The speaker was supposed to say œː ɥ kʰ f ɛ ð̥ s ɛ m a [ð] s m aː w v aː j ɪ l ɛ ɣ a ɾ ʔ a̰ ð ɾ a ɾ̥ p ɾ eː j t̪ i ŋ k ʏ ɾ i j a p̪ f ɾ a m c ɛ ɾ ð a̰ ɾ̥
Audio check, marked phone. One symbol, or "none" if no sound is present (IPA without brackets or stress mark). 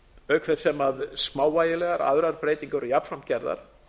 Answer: ð